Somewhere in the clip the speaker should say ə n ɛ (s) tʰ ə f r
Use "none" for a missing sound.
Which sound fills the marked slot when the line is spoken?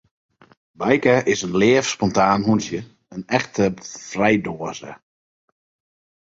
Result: x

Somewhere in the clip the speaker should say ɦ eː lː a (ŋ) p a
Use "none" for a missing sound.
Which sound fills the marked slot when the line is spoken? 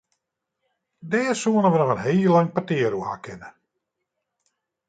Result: ŋ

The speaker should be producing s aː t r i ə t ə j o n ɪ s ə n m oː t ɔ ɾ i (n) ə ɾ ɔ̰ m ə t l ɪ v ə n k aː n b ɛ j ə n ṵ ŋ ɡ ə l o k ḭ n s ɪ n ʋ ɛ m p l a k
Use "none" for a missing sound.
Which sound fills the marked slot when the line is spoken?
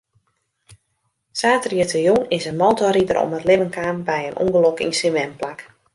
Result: d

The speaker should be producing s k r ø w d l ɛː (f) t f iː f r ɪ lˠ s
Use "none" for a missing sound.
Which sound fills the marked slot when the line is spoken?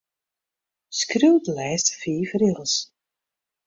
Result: s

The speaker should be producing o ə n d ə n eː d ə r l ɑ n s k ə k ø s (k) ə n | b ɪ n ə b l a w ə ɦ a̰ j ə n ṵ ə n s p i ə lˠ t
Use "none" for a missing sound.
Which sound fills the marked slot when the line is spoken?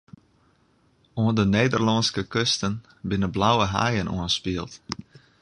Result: t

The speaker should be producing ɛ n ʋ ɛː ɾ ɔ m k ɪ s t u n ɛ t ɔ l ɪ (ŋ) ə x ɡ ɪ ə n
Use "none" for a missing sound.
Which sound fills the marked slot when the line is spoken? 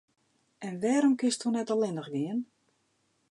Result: n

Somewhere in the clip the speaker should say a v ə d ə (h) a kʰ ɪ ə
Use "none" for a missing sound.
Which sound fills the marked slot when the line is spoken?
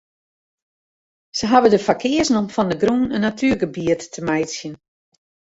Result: f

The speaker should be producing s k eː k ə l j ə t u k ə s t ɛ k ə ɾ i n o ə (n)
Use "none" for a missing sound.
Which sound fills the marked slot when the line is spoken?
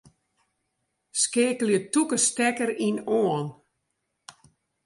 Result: n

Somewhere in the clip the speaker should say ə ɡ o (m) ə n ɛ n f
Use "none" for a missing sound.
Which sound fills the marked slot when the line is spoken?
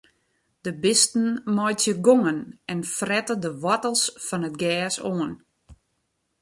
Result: ŋ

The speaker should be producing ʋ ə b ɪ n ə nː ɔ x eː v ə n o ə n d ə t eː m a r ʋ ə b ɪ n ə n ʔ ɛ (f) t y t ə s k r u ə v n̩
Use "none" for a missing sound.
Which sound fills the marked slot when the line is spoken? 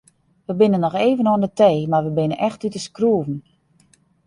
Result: x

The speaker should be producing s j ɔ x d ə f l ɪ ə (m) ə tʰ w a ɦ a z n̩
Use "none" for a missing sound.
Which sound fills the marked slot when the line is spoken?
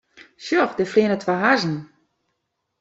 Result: n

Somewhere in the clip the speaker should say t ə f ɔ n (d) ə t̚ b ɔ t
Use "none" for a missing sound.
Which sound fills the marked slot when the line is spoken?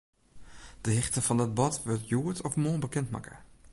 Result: d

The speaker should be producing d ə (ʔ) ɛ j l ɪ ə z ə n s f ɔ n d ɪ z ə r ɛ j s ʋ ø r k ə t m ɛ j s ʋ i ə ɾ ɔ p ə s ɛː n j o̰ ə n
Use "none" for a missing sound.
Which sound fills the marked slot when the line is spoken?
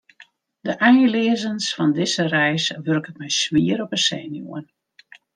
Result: ʔ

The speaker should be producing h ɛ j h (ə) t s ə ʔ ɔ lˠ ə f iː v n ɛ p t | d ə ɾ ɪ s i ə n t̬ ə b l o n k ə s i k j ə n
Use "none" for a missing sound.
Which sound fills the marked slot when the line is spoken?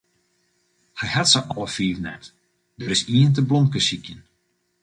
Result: a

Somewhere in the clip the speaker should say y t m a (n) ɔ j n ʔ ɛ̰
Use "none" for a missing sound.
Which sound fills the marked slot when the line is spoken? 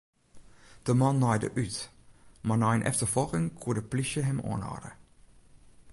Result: n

